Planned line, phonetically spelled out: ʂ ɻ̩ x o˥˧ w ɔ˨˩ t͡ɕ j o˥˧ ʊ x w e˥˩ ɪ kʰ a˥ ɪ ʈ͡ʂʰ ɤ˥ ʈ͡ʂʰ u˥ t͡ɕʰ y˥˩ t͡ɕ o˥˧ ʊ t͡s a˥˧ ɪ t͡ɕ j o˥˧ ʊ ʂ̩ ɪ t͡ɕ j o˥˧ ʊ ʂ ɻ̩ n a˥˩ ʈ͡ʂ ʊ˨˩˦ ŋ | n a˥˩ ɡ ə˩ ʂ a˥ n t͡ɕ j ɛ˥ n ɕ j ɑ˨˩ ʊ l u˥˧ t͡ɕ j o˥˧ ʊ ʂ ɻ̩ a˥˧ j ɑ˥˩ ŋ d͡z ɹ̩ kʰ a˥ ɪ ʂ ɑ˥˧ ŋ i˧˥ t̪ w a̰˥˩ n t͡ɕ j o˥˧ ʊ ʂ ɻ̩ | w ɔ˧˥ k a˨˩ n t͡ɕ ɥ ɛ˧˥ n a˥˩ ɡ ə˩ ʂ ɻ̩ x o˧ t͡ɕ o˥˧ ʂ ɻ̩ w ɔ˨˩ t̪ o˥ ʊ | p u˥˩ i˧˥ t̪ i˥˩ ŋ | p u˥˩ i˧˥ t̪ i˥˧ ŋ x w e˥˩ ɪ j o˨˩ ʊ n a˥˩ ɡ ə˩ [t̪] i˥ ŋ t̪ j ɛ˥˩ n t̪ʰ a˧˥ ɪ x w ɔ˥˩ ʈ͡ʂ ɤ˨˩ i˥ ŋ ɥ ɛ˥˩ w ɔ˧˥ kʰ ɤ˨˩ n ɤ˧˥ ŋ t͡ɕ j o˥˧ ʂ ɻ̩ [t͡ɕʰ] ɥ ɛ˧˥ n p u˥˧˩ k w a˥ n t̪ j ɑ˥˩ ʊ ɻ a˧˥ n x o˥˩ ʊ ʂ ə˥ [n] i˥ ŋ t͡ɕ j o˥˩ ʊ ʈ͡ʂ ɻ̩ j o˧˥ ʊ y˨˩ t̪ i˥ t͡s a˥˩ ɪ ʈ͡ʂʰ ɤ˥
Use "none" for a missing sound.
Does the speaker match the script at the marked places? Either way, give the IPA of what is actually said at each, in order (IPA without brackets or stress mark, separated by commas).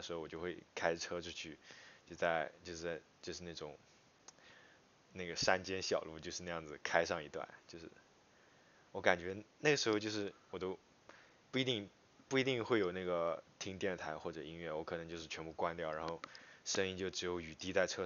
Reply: t̪ʰ, t͡ɕʰ, ŋ